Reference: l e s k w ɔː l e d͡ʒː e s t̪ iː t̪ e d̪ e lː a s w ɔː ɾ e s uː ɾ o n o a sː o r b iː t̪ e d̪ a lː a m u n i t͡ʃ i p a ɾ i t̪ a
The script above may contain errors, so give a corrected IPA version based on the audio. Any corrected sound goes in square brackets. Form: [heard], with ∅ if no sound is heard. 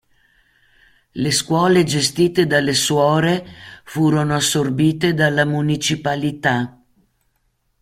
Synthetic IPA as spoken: l e s k w ɔː l e [d͡ʒ] e s t̪ iː t̪ e d̪ [a] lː [e] s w ɔː ɾ e [f] uː ɾ o n o a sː o r b iː t̪ e d̪ a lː a m u n i t͡ʃ i p a [l] i t̪ a